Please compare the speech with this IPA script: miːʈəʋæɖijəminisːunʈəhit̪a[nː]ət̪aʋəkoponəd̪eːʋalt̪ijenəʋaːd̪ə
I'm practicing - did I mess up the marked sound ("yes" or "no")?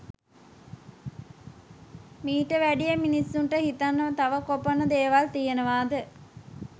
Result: no